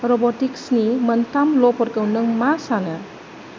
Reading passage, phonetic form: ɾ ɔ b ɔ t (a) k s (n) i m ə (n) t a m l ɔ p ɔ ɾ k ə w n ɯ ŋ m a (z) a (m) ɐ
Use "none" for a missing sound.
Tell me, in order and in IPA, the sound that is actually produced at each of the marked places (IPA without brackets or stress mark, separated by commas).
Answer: i, n, n, s, n